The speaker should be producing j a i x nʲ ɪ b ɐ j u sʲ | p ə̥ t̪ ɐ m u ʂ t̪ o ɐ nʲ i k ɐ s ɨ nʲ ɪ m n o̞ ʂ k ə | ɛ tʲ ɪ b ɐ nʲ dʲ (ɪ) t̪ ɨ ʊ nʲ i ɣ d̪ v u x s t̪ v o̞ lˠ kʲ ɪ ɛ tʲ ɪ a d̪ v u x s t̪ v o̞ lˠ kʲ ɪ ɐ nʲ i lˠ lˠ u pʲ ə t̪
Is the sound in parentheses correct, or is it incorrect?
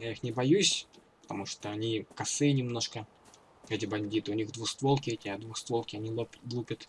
incorrect: i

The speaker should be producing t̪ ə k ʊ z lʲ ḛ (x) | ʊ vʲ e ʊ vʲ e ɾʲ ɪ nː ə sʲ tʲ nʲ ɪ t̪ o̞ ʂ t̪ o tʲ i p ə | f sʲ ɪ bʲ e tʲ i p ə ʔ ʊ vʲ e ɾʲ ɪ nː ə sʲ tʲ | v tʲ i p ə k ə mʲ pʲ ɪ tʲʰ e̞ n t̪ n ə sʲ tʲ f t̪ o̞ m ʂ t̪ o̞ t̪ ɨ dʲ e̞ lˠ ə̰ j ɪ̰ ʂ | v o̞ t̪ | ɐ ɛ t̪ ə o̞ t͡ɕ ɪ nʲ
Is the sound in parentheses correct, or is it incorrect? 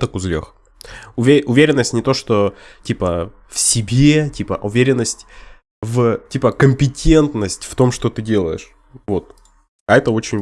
correct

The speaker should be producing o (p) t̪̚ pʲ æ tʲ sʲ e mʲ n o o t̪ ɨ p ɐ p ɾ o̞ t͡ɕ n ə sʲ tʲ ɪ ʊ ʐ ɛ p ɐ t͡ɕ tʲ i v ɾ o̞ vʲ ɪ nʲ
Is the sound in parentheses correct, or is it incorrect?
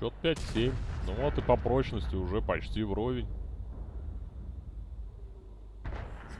incorrect: none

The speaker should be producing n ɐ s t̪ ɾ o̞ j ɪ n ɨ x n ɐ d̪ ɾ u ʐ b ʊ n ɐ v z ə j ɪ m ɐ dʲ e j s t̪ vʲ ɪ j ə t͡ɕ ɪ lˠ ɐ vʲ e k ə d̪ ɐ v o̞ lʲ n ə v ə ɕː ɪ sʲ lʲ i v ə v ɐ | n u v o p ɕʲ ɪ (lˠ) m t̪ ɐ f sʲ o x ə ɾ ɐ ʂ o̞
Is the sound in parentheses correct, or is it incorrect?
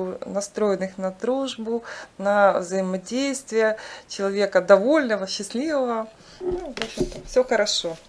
incorrect: none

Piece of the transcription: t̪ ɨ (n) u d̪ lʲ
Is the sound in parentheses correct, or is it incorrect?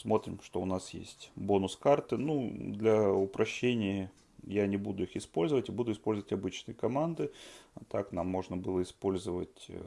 correct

